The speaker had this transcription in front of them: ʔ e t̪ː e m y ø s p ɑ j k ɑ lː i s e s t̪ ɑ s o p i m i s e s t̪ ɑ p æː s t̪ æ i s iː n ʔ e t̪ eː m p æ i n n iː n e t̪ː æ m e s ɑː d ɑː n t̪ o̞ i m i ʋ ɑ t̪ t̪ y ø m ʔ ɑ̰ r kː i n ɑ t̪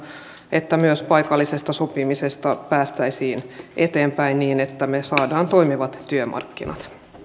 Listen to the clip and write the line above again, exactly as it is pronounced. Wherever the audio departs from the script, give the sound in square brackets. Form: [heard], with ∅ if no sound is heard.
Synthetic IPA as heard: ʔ e t̪ː [æ] m y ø s p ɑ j k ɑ lː i s e s t̪ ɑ s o p i m i s e s t̪ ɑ p æː s t̪ æ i s iː n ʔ e t̪ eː m p æ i n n iː n e t̪ː æ m e s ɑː d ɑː n t̪ o̞ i m i ʋ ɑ t̪ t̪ y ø m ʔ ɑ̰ r kː i n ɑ t̪